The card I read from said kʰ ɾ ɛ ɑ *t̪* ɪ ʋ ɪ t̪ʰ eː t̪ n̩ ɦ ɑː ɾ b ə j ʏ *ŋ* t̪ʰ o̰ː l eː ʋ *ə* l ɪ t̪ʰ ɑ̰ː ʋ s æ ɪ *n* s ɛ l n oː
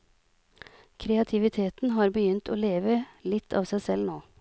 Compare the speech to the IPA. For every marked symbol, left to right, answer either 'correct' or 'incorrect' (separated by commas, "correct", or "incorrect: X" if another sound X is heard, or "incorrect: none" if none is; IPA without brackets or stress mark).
incorrect: t̪ʰ, incorrect: n, correct, incorrect: none